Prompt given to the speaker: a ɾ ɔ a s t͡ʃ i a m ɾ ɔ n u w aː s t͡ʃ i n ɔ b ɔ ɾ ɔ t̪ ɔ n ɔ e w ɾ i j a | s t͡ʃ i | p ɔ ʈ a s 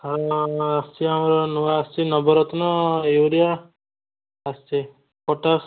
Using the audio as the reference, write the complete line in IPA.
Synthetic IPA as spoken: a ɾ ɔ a s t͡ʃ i a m ɾ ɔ n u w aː s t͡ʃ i n ɔ b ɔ ɾ ɔ t̪ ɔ n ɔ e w ɾ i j a | s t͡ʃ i | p ɔ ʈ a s